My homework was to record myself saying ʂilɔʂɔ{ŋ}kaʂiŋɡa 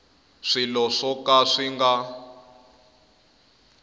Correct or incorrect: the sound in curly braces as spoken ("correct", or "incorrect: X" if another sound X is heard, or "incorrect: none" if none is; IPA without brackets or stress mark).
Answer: incorrect: none